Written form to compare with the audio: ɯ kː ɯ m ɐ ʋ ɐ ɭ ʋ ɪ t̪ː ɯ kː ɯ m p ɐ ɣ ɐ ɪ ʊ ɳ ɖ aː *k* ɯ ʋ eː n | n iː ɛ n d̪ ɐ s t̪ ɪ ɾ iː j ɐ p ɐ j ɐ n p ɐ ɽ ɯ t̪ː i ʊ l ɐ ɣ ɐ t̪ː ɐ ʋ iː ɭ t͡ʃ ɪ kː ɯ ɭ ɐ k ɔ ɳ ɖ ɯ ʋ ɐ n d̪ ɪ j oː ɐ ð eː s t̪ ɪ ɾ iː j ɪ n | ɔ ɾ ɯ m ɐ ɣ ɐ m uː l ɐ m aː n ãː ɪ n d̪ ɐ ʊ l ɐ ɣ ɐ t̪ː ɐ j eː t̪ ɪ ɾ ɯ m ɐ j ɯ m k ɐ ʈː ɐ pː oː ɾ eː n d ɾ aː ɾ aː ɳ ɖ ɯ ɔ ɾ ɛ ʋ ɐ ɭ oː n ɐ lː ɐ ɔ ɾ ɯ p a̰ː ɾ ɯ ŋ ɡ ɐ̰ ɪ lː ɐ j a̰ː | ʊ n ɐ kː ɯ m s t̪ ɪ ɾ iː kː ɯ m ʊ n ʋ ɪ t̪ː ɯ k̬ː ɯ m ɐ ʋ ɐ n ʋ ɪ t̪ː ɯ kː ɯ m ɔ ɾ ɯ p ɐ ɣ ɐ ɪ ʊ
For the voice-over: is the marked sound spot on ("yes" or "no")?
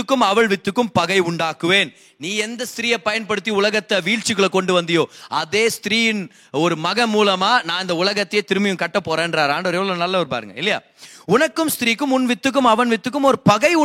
yes